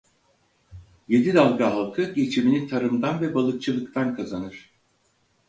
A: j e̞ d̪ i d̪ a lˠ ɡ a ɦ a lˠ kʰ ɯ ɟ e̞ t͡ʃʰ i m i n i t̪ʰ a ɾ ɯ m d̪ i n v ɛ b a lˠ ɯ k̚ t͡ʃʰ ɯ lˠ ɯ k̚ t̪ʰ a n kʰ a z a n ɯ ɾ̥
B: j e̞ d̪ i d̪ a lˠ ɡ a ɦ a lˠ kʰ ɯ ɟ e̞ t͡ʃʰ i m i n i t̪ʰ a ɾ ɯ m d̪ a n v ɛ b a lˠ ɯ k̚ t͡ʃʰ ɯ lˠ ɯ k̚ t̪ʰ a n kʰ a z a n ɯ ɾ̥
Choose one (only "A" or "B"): B